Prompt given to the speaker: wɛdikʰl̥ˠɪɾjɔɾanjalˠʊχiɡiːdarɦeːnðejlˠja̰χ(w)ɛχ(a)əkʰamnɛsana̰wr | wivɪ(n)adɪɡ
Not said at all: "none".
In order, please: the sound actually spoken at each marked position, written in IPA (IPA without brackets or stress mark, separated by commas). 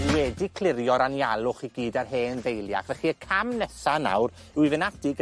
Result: v, i, n